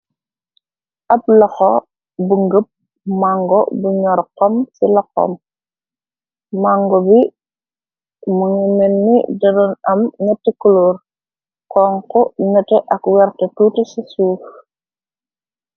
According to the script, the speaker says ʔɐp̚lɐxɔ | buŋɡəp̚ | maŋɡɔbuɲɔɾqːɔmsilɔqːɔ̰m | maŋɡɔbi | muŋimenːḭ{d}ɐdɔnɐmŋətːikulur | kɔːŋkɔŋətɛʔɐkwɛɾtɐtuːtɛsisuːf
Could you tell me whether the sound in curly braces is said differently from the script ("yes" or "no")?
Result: no